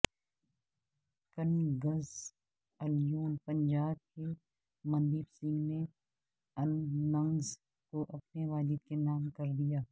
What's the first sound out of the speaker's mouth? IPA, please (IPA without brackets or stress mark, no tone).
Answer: k